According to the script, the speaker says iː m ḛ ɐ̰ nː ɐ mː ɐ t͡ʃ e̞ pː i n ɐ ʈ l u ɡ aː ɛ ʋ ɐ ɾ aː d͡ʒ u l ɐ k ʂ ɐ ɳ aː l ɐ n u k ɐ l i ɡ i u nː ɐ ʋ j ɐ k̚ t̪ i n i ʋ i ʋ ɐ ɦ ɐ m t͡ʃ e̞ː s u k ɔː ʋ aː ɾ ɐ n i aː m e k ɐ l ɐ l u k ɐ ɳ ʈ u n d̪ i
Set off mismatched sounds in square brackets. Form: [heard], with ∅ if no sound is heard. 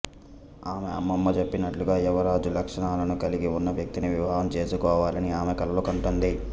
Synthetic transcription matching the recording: [aː] m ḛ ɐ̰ [mː] ɐ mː ɐ t͡ʃ e̞ pː i n ɐ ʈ l u ɡ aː ɛ ʋ ɐ ɾ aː d͡ʒ u l ɐ k ʂ ɐ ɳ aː l ɐ n u k ɐ l i ɡ i u nː ɐ ʋ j ɐ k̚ t̪ i n i ʋ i ʋ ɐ ɦ ɐ m t͡ʃ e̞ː s u k ɔː ʋ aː [l] ɐ n i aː m e k ɐ l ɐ l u k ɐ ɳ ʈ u n d̪ i